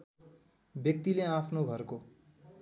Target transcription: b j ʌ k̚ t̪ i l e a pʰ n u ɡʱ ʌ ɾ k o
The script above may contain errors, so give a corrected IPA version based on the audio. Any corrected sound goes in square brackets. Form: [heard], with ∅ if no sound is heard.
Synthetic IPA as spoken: b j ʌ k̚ t̪ i l e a pʰ n [o] ɡʱ ʌ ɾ k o

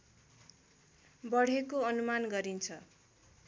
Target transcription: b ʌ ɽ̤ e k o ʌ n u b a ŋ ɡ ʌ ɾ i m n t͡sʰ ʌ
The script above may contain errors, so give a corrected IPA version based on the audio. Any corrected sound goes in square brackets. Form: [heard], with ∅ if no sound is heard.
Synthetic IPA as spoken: b ʌ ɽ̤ e k o ʌ n u [m] a [n] ɡ ʌ ɾ i [∅] n t͡sʰ ʌ

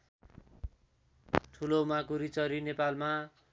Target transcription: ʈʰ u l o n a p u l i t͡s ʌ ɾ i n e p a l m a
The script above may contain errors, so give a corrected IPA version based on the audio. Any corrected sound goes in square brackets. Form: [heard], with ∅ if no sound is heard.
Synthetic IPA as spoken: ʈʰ u l o [m] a [k] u [ɾ] i t͡s ʌ ɾ i n e p a l m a

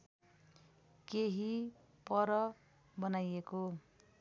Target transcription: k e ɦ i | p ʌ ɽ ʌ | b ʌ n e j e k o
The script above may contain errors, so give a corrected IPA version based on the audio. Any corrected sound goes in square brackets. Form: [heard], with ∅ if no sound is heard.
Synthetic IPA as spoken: k e ɦ i | p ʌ [ɾ] ʌ | b ʌ n [a] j e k o

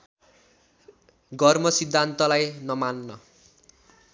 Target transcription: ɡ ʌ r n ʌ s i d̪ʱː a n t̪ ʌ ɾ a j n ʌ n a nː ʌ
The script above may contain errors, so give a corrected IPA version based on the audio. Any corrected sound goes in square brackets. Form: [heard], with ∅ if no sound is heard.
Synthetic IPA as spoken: ɡ ʌ r [m] ʌ s i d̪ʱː a n t̪ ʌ [l] a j n ʌ [m] a nː ʌ

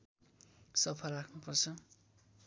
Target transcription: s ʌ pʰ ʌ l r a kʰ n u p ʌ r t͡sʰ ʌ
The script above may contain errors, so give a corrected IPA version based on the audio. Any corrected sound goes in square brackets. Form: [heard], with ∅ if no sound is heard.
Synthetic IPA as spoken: s ʌ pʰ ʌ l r a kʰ n u p ʌ r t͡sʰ ʌ

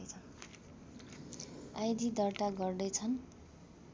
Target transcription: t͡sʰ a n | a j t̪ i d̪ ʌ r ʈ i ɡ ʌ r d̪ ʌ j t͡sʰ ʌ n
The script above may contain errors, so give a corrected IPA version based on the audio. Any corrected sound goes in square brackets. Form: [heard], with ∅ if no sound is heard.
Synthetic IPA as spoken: t͡sʰ [ʌ] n | a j [d̪] i d̪ ʌ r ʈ [a] ɡ ʌ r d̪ ʌ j t͡sʰ ʌ n

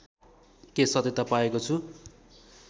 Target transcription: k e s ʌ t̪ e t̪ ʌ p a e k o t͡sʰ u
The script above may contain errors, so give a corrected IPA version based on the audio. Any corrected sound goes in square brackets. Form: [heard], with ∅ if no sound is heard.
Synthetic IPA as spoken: k e s ʌ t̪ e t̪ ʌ p a e k o t͡sʰ u

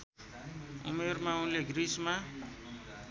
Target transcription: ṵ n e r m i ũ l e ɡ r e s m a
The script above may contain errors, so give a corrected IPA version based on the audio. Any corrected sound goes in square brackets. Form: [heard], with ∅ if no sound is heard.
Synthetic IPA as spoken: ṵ [m] e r m [a] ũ l e ɡ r [i] s m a

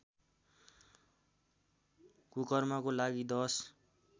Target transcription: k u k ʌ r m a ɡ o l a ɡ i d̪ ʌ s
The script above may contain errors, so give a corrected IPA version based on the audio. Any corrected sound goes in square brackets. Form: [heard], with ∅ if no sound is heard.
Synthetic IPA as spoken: k u k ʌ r m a [k] o l a ɡ i d̪ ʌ s

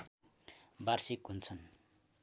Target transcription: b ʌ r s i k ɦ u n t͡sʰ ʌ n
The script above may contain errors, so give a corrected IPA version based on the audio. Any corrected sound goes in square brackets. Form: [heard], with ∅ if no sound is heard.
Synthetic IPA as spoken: b [a] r s i k ɦ u n t͡sʰ ʌ n

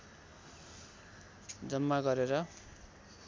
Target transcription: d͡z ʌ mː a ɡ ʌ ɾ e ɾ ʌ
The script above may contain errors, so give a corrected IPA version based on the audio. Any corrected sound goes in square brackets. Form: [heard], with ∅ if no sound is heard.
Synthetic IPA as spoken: d͡z ʌ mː a ɡ ʌ ɾ e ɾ ʌ

